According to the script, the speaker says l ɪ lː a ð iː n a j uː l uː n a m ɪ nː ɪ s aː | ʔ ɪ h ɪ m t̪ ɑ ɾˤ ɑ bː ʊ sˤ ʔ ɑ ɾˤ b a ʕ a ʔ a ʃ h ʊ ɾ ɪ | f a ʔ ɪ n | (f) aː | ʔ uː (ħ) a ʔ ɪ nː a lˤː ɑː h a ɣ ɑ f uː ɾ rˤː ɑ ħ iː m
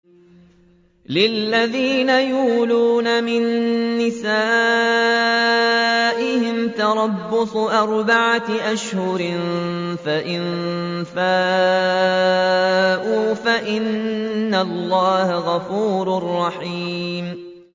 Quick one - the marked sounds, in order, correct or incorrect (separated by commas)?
correct, incorrect